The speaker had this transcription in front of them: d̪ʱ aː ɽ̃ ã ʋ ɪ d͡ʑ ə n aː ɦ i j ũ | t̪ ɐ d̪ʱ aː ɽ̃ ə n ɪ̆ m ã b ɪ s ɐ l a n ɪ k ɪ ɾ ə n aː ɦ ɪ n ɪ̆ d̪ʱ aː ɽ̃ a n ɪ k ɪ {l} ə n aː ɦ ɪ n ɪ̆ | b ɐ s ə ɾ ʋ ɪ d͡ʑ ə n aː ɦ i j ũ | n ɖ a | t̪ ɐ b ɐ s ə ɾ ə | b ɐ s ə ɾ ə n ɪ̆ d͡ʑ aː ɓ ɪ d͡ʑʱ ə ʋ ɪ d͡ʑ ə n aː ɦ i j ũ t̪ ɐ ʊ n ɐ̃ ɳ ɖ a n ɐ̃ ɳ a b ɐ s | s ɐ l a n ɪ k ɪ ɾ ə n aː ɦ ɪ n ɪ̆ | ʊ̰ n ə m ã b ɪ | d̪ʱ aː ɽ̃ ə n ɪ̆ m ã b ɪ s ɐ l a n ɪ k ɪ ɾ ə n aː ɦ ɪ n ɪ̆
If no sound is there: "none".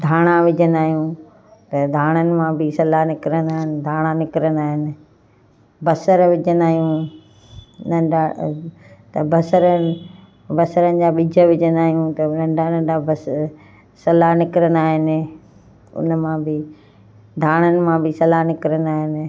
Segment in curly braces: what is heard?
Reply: ɾ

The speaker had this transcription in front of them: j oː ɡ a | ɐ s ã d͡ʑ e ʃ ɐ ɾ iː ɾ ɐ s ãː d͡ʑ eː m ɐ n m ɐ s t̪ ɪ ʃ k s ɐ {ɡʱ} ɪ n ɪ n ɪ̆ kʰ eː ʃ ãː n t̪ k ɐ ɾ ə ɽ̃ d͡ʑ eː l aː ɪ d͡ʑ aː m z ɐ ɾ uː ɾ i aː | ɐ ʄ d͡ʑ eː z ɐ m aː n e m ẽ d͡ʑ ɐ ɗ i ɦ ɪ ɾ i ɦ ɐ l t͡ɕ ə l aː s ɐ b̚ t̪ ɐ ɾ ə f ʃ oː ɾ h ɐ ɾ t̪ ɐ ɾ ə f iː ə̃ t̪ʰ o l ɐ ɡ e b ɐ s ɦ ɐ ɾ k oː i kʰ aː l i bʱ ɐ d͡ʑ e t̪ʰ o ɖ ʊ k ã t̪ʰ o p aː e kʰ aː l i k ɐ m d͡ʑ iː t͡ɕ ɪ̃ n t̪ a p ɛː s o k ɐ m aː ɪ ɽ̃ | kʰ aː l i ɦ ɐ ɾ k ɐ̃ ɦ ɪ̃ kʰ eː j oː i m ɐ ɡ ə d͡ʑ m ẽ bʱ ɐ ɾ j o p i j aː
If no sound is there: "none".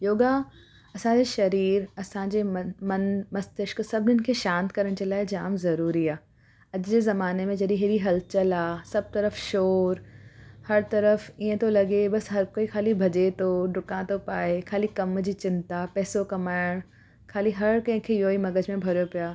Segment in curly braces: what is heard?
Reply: bʱ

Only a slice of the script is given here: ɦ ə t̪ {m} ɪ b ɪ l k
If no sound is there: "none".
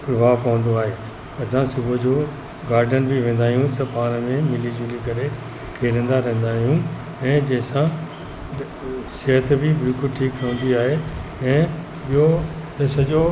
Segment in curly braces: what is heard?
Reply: b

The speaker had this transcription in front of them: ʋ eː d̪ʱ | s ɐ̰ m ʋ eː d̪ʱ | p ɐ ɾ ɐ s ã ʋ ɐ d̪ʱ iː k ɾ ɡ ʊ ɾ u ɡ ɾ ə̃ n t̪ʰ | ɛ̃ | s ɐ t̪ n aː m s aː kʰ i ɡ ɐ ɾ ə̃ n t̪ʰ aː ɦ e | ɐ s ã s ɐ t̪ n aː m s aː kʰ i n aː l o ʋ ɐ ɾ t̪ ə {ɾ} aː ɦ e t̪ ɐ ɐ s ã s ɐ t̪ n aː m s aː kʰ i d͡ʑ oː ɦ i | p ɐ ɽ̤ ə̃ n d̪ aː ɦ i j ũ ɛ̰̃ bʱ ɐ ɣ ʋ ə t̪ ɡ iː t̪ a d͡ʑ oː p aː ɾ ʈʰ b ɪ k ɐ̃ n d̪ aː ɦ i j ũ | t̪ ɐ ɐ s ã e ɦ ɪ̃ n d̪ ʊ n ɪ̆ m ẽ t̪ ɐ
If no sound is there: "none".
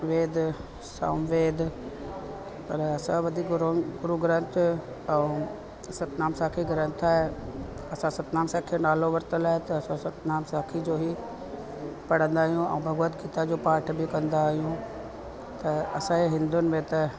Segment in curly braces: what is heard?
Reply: l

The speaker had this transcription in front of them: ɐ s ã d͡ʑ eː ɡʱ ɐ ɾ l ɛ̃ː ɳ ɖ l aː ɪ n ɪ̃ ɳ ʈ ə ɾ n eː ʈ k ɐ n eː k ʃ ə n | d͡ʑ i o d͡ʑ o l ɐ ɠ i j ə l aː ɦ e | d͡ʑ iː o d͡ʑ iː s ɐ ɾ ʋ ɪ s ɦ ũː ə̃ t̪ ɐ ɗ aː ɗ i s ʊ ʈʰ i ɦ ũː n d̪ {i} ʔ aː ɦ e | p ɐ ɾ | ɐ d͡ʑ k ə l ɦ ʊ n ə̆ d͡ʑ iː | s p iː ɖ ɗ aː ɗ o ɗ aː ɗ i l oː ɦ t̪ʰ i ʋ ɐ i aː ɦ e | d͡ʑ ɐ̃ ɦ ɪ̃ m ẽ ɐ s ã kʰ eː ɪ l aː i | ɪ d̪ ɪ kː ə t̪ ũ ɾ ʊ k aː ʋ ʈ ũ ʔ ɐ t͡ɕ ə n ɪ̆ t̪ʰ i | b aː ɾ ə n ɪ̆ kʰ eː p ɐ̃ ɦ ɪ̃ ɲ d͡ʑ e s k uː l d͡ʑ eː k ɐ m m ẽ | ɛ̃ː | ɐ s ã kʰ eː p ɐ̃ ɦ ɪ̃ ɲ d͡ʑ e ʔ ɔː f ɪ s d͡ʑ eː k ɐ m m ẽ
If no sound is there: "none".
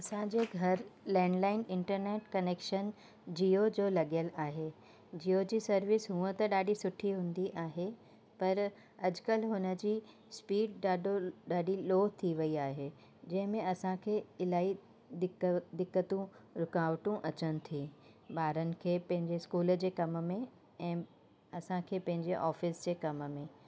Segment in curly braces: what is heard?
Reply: i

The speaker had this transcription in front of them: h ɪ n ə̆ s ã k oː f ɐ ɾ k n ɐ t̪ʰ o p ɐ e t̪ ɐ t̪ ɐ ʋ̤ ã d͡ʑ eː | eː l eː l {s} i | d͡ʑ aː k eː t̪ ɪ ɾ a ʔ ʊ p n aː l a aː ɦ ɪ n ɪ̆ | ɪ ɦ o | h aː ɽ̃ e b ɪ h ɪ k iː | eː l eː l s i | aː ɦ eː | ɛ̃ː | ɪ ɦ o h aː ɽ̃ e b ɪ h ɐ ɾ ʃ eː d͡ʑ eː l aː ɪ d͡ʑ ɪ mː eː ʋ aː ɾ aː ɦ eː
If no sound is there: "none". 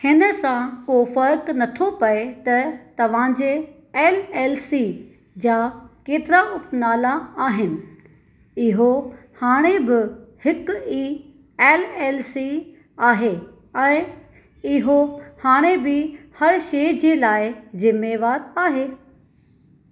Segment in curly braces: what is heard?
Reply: s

